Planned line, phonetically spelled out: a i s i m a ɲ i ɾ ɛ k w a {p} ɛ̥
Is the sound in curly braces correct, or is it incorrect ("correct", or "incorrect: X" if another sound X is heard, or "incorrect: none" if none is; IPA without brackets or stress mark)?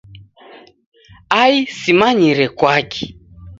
incorrect: k